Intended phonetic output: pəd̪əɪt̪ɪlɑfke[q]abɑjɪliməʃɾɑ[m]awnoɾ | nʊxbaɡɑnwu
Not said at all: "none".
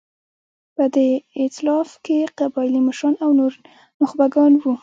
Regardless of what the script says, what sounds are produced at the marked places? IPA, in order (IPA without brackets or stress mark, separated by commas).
q, n